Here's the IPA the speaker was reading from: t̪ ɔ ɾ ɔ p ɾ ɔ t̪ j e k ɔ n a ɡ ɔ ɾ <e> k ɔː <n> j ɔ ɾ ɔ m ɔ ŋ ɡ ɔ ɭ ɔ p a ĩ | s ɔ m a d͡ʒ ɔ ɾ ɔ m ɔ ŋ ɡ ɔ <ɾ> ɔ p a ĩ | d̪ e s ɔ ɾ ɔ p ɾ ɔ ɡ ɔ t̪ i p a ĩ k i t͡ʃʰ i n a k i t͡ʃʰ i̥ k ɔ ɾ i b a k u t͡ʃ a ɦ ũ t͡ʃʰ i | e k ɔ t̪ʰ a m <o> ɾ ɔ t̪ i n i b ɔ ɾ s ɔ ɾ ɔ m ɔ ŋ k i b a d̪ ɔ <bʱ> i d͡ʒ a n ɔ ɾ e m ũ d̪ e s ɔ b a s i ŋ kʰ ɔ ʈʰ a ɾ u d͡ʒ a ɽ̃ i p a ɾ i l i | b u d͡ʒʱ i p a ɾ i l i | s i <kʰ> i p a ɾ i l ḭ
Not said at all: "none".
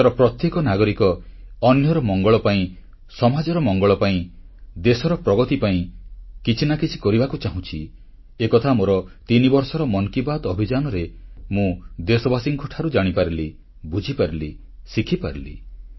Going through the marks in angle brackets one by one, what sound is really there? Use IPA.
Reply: i, n, ɭ, o, bʱ, kʰ

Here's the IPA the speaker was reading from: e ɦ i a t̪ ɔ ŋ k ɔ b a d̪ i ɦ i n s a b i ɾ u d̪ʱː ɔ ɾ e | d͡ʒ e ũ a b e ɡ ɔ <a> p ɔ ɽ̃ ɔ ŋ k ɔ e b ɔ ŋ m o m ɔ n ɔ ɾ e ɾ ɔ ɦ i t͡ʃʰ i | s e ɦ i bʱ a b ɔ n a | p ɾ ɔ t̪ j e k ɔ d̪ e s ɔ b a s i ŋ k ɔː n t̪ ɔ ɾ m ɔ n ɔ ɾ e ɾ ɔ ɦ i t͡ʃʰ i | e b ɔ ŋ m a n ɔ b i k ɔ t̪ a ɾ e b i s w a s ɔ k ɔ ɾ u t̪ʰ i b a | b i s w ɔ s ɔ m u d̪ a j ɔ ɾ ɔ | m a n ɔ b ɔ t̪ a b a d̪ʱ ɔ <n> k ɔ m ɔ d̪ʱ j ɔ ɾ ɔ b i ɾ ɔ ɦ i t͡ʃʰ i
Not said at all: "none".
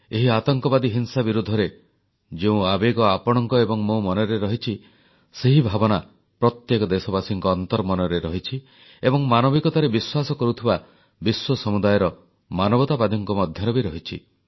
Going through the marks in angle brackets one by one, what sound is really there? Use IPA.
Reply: a, ŋ

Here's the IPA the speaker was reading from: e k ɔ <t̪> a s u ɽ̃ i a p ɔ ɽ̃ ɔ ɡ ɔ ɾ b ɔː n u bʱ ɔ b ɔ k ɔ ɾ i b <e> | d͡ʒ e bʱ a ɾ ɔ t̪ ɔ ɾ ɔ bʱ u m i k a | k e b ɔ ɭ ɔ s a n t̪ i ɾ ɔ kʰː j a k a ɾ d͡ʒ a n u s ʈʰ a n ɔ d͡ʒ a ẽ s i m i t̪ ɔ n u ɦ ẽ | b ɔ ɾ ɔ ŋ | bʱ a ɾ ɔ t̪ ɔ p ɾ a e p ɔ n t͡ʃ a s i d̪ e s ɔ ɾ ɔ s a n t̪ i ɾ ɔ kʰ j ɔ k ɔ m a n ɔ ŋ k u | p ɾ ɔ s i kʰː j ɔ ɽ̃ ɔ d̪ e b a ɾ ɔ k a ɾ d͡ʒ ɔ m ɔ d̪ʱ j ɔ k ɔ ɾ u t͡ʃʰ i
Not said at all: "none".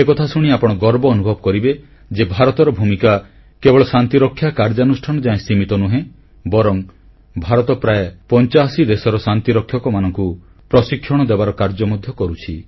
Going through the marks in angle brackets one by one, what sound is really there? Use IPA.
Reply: t̪ʰ, e

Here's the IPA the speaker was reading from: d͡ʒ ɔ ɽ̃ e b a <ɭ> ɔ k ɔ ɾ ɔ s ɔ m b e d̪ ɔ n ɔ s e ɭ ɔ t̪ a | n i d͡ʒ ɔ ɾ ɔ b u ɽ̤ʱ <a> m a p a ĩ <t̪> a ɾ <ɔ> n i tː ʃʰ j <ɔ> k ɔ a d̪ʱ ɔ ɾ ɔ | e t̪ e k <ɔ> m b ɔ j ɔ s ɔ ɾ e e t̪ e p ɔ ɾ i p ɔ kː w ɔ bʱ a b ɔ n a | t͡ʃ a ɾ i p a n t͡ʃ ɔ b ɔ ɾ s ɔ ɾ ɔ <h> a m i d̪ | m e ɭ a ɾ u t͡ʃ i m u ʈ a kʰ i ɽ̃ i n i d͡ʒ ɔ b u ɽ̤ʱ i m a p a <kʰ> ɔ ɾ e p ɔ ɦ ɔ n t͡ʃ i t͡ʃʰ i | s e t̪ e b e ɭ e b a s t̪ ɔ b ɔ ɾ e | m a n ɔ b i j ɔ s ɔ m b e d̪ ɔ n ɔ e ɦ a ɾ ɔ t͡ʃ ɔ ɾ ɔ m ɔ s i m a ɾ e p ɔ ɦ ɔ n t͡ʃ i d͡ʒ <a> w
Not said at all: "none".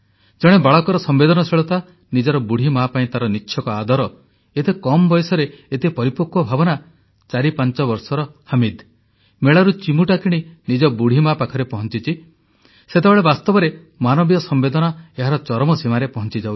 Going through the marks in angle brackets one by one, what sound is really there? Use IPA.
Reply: ɭ, i, t̪, ɔ, ɔ, ɔ, h, kʰ, a

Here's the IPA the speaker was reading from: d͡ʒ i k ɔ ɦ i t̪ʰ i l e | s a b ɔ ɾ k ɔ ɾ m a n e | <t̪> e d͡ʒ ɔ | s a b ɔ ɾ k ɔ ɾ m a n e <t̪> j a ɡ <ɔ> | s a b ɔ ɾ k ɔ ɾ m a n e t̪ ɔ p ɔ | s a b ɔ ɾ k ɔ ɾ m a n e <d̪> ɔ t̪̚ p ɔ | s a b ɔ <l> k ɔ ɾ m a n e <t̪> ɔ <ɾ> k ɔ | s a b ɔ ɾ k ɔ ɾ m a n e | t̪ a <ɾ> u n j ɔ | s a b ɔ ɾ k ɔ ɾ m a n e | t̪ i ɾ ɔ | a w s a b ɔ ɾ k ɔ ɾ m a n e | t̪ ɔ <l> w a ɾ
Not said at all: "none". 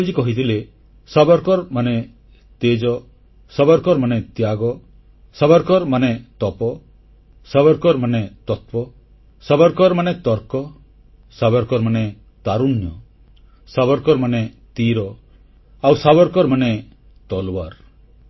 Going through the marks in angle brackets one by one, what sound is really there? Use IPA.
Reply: t̪, t̪, ɔ, t̪, ɾ, t̪, ɾ, ɾ, l

